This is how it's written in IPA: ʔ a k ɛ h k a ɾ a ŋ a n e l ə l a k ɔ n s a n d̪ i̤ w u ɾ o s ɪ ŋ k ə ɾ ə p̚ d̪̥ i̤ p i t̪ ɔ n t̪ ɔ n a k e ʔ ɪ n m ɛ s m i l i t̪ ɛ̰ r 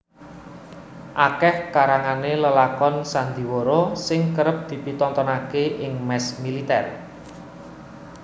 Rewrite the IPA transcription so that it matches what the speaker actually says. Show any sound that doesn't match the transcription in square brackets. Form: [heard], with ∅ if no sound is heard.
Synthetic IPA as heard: ʔ a k ɛ h k a ɾ a ŋ a n e l ə l a k ɔ n s a n d̪ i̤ w [o] ɾ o s ɪ ŋ k ə ɾ ə p̚ d̪̥ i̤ p i t̪ ɔ n t̪ ɔ n a k e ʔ ɪ [ŋ] m ɛ s m i l i t̪ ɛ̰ r